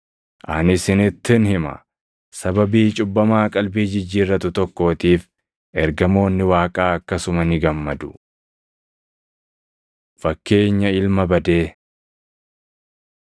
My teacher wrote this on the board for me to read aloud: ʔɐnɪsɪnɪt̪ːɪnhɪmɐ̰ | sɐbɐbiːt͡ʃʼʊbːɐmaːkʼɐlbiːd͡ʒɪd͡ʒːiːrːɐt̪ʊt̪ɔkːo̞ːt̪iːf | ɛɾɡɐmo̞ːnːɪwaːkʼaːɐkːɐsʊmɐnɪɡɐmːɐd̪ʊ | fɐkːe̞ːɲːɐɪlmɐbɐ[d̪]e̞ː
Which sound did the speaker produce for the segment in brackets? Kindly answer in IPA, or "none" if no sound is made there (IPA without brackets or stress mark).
d̪